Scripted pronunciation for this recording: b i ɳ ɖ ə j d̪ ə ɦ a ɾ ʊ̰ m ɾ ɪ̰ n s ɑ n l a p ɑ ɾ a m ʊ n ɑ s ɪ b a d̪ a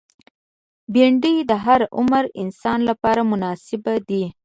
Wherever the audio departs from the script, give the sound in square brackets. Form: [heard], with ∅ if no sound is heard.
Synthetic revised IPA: b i ɳ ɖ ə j d̪ ə ɦ a ɾ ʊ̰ m ɾ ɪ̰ n s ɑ n l a p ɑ ɾ a m ʊ n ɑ s ɪ b a d̪ [i]

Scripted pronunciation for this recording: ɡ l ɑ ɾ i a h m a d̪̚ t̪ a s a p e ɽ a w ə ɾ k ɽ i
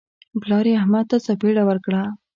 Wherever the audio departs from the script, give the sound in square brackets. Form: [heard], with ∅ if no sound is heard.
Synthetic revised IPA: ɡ l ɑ ɾ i a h m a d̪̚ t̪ a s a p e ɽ a w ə ɾ k ɽ [a]

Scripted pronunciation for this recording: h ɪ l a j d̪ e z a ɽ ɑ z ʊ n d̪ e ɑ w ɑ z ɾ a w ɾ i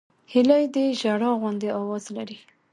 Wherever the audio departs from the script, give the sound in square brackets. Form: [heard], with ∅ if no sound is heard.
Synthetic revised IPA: h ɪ l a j d̪ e [ʒ] a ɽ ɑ [ɣ] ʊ n d̪ e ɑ w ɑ z [l] a [∅] ɾ i

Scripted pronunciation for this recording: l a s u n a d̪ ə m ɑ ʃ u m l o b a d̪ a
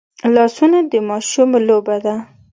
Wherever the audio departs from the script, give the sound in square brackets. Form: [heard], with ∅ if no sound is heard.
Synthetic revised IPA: l [ɑ] s u n a d̪ ə m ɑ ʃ u m l o b a d̪ a

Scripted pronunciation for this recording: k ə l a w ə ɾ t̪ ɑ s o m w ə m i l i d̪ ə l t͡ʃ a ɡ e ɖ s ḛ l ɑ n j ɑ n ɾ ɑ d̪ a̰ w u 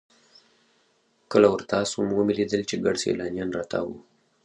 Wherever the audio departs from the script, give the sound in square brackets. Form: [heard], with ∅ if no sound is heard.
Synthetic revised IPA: k ə l a w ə ɾ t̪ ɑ s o m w ə m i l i d̪ ə l t͡ʃ [e] ɡ [a] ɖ s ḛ l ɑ n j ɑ n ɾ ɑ [t̪] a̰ w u

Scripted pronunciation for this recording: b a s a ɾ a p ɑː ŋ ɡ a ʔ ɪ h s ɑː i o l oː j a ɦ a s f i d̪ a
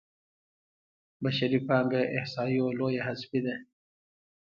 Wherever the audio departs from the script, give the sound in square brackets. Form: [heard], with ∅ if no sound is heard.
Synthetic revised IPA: b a [ʃ] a ɾ [i] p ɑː ŋ ɡ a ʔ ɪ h s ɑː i o l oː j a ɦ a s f i d̪ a

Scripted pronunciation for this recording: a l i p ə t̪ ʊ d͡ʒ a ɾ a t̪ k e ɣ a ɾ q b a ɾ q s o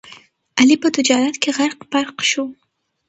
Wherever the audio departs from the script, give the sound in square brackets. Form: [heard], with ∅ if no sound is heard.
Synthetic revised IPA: a l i p ə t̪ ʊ d͡ʒ [ɑ] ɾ a t̪ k e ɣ a ɾ q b a ɾ q [ʃ] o

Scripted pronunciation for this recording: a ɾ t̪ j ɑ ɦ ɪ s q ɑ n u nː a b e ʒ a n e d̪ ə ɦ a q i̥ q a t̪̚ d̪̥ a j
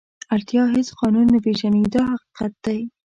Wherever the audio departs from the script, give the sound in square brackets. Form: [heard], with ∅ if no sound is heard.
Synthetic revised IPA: a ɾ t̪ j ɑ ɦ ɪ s q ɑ n u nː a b e ʒ a n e d̪ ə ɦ a q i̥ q a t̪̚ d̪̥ a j

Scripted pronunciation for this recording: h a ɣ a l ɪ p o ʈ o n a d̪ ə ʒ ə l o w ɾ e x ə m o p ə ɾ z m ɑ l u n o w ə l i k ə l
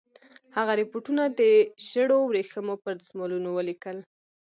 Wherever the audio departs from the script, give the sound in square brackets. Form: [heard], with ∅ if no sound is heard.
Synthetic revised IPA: h a ɣ a [ɾ] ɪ p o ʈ [u] n a d̪ ə ʒ ə [ɽ] o w ɾ e x ə m o p ə ɾ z m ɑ l u n o w ə l i k ə l

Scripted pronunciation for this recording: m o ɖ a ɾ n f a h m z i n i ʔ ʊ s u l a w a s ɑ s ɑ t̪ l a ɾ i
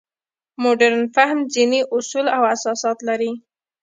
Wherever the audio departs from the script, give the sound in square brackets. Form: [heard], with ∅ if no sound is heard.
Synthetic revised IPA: m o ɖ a ɾ n f a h m z i n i ʔ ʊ s u l a w a s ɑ s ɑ t̪ l a ɾ i

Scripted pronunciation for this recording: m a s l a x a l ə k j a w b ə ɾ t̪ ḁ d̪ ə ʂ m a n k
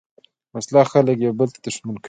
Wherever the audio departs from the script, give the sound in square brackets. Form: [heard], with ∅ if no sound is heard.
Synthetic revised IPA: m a s l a x a l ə k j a w b ə [l] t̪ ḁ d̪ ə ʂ m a n k

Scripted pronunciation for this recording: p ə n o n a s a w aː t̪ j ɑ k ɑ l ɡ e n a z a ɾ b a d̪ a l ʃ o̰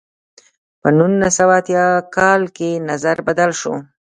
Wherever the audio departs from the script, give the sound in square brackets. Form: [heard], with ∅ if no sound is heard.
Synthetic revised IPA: p ə n [u] n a s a w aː t̪ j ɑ k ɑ l [k] e n a z a ɾ b a d̪ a l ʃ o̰

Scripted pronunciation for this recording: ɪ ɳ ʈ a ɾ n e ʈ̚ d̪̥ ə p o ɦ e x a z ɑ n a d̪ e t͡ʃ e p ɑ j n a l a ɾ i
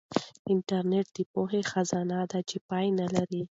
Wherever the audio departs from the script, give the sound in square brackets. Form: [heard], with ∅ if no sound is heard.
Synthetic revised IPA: ɪ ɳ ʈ a ɾ n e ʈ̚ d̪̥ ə p o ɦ e x a z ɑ n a d̪ [a] t͡ʃ e p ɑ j n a l a ɾ i

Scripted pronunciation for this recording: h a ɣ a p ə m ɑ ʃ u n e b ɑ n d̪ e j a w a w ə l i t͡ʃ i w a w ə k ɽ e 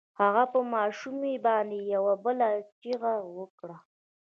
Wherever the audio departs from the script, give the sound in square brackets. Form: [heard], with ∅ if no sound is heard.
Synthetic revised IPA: h a ɣ a p ə m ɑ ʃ u [m] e b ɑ n d̪ e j a w a [b] ə l [a] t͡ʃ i [ɣ] a w ə k ɽ [a]

